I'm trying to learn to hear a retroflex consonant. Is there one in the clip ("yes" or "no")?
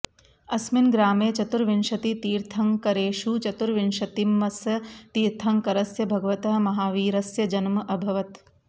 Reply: no